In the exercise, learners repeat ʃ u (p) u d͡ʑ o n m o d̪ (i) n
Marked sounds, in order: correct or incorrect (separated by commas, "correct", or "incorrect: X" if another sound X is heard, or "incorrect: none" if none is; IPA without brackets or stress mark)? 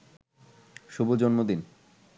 incorrect: b, correct